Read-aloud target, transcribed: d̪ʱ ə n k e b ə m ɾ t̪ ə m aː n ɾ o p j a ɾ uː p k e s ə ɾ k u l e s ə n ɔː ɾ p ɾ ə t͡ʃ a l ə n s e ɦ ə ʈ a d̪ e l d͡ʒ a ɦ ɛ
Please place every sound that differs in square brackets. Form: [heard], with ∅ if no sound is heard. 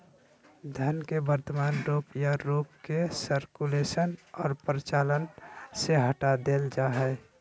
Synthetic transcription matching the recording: d̪ʱ ə n k e b ə [∅] ɾ t̪ ə m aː n ɾ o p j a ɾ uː p k e s ə ɾ k u l e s ə n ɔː ɾ p ɾ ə t͡ʃ a l ə n s e ɦ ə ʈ a d̪ e l d͡ʒ a ɦ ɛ